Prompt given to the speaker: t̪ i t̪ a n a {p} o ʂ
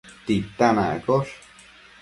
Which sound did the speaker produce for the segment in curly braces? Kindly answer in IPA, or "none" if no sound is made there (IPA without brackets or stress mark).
k